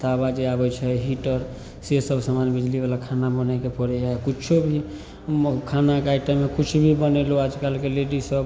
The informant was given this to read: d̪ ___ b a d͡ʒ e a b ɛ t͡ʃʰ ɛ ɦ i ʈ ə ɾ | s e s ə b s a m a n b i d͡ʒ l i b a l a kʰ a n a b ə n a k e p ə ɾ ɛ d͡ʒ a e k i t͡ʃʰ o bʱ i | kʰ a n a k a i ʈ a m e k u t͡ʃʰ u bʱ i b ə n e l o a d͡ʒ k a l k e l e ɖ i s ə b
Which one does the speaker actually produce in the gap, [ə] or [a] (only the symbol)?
a